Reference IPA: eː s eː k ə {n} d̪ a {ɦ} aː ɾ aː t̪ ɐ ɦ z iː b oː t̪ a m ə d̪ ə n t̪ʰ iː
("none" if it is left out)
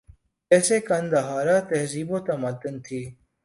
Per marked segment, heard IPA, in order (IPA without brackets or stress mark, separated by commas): n, ɦ